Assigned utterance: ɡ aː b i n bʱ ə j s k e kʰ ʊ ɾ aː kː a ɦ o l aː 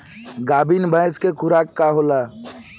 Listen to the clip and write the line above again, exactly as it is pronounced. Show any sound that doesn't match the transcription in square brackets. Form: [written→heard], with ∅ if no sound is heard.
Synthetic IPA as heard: ɡ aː b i n bʱ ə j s k e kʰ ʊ ɾ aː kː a ɦ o l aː